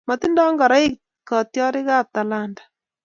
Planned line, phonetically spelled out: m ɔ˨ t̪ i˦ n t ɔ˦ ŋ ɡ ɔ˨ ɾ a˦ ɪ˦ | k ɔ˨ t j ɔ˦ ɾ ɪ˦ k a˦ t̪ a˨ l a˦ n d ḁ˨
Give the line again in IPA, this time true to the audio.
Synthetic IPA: m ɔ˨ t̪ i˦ n d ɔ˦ ŋ ɡ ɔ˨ ɾ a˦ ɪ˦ | k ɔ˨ t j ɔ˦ ɾ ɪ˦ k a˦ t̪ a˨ l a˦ n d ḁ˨